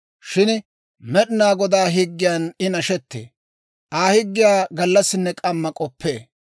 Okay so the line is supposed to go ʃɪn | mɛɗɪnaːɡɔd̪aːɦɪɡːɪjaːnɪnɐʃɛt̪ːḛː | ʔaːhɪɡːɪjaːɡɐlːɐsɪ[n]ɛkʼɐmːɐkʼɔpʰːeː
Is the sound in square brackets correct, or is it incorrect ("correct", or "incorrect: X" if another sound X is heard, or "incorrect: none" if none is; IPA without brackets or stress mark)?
incorrect: nː